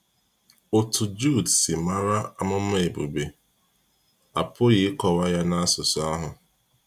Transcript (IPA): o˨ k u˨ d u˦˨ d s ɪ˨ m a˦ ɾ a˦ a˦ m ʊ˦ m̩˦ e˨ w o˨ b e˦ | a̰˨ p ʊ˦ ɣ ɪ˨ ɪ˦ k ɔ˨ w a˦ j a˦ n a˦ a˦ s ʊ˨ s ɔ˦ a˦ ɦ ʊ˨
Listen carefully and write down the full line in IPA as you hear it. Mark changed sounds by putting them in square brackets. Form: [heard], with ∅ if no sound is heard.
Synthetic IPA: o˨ [t] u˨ [d͡ʒ] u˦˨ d s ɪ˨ m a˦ ɾ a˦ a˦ m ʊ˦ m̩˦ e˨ [b] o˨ b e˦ | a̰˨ p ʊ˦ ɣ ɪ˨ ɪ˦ k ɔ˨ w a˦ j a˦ n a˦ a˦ s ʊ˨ s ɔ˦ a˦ ɦ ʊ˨